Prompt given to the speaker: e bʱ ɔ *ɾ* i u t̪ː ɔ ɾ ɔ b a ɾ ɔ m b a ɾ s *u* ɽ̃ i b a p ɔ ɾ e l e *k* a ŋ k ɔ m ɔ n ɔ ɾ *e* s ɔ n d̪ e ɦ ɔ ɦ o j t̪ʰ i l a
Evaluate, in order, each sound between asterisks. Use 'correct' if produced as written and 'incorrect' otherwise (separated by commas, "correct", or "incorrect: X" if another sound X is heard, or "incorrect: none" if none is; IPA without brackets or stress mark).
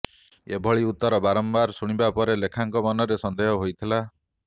incorrect: ɭ, correct, incorrect: kʰ, correct